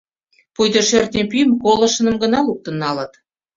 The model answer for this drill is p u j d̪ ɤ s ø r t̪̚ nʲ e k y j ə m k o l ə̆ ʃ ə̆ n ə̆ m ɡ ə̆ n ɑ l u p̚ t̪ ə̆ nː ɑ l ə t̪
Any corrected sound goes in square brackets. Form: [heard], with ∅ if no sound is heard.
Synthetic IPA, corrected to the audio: p u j d̪ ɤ [ʃ] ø r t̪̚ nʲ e [p] y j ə m k o l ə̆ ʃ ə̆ n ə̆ m ɡ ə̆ n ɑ l u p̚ t̪ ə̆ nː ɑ l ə t̪

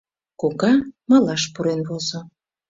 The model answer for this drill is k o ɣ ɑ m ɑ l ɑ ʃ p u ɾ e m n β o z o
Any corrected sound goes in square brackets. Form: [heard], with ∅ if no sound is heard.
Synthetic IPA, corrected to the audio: k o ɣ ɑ m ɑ l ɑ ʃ p u ɾ e [∅] n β o z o

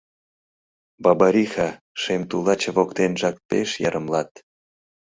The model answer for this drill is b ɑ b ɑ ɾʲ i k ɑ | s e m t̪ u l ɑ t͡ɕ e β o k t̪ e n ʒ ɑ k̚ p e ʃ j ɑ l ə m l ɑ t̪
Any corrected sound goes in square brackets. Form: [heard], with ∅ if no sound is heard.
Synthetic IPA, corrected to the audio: b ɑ b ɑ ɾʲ i [x] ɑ | [ʃ] e m t̪ u l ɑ t͡ɕ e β o k t̪ e n ʒ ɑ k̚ p e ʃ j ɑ [ɾ] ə m l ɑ t̪

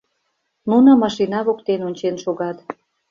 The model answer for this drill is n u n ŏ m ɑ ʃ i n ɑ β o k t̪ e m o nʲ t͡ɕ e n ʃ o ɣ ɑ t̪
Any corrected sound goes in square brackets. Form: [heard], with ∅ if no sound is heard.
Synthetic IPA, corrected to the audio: n u n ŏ m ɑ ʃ i n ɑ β o k t̪ e [n] o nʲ t͡ɕ e n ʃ o ɣ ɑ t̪

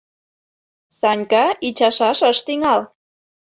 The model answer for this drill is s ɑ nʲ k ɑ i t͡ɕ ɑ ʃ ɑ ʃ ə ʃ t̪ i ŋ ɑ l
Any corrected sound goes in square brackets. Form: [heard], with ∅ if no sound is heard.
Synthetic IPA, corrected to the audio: s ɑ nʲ k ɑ i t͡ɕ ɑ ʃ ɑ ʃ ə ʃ t̪ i ŋ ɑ l

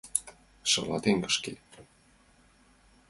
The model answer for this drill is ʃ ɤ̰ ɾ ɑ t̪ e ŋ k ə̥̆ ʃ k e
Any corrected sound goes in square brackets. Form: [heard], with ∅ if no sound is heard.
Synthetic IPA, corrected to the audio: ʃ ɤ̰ [l] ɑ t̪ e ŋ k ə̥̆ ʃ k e

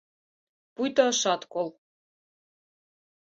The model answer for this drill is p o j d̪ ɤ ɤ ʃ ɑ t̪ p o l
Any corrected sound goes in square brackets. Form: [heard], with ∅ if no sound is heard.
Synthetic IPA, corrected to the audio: p [u] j [t̪] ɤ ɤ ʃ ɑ t̪ [k] o l

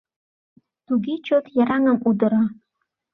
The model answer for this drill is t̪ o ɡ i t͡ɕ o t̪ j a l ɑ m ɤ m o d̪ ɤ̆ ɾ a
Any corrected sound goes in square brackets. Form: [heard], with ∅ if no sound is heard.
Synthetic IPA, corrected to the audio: t̪ [u] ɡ i t͡ɕ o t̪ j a [ɾ] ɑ [ŋ] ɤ m [u] d̪ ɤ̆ ɾ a

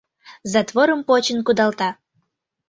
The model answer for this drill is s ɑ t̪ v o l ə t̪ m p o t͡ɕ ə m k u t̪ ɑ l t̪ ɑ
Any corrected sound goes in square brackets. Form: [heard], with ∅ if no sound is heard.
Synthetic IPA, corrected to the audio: [z] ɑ t̪ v o [ɾ] ə [∅] m p o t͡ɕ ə [n] k u [d̪] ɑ l t̪ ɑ

